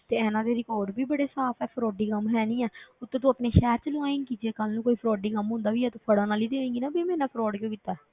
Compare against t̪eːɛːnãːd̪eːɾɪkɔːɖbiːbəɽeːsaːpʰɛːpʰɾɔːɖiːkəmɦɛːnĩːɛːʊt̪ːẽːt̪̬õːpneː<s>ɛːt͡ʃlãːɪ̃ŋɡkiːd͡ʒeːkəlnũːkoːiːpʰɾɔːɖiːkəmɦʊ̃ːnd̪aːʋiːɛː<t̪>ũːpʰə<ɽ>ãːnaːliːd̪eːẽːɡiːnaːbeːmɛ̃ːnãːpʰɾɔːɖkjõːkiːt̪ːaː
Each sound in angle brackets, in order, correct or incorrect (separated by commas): incorrect, correct, correct